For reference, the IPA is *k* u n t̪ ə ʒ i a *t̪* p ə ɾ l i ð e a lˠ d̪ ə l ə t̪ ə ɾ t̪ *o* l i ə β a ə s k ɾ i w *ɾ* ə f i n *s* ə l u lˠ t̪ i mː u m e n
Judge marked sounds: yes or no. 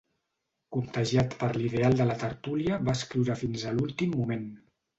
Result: yes, yes, no, yes, no

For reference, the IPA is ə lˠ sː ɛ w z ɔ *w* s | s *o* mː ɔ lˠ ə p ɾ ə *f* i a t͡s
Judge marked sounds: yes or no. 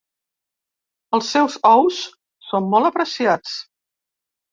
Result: yes, yes, no

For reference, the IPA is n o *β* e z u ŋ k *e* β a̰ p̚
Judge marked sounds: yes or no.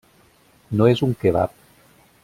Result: no, yes

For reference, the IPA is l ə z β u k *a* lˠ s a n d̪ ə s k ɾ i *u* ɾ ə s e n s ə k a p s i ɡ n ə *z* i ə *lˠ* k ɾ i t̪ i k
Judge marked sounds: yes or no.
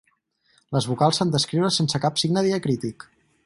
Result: yes, no, no, no

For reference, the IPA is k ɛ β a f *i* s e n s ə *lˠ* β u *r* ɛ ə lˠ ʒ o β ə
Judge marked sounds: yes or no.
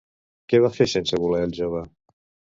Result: no, no, no

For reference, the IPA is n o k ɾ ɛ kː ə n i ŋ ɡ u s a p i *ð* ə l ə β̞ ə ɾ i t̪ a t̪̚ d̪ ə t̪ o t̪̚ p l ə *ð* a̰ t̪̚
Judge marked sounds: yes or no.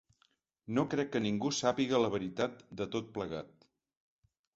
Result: no, no

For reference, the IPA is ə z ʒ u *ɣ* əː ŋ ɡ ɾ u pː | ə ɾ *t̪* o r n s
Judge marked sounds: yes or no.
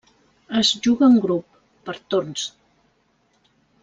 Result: yes, yes

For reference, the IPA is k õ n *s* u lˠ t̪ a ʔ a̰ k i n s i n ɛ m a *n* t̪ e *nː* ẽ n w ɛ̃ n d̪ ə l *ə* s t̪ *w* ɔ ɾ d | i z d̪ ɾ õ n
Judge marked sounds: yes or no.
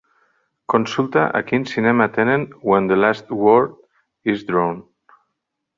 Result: yes, no, no, no, yes

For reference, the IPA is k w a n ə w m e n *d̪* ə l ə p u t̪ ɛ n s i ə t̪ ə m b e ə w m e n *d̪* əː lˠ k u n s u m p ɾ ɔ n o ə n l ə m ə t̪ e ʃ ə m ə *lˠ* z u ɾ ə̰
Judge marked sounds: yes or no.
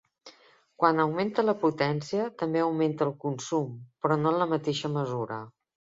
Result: no, no, no

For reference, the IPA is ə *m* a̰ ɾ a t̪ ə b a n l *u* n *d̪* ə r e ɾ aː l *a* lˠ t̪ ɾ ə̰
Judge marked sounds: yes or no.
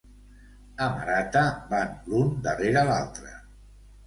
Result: yes, yes, yes, yes

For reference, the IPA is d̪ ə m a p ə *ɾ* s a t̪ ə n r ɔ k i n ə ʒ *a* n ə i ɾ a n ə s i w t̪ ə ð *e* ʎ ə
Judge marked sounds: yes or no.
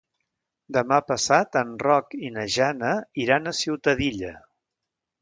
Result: no, yes, no

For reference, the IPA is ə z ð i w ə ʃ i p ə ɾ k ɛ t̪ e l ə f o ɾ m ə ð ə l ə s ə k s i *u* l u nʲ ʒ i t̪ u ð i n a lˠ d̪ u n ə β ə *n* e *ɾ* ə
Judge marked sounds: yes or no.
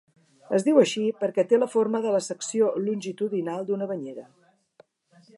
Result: no, no, yes

